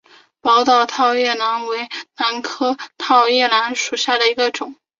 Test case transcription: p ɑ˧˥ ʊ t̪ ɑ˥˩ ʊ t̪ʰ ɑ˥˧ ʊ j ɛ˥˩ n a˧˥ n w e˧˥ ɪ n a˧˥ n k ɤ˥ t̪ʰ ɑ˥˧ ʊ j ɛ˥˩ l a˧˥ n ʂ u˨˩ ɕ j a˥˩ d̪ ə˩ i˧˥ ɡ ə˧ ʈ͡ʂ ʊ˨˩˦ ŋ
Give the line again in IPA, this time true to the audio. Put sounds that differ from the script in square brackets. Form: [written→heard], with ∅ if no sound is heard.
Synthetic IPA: p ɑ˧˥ ʊ t̪ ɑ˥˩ ʊ t̪ʰ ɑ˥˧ ʊ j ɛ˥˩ n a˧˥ n w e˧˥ ɪ n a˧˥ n [k→kʰ] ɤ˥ t̪ʰ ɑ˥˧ ʊ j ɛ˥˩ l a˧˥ n ʂ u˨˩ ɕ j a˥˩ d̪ ə˩ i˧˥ ɡ ə˧ ʈ͡ʂ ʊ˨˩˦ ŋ